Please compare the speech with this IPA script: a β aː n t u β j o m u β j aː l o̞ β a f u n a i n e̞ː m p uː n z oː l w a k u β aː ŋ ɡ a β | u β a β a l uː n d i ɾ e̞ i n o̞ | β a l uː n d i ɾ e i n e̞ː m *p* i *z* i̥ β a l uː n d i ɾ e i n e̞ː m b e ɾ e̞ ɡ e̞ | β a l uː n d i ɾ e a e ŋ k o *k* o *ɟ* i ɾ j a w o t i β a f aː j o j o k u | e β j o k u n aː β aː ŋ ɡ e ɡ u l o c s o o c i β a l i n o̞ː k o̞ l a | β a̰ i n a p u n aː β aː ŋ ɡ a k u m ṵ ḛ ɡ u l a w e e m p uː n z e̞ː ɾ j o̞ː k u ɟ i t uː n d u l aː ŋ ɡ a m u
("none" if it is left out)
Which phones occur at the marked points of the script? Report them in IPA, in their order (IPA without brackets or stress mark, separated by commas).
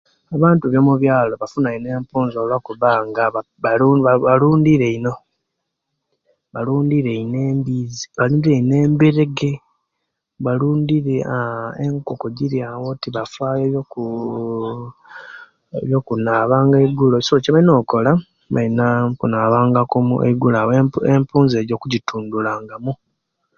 b, z, k, ɟ